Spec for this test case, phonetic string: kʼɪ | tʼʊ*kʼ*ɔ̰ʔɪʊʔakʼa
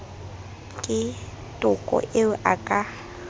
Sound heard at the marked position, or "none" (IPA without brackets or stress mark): kʼ